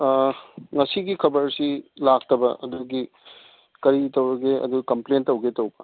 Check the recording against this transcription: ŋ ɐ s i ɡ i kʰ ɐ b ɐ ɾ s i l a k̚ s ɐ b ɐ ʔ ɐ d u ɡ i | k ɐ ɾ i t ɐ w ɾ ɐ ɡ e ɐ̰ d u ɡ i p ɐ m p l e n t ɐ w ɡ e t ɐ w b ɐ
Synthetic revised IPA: ŋ ɐ s i ɡ i kʰ ɐ b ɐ ɾ s i l a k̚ t ɐ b ɐ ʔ ɐ d u ɡ i | k ɐ ɾ i t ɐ w ɾ ɐ ɡ e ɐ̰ d u ɡ i k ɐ m p l e n t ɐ w ɡ e t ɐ w b ɐ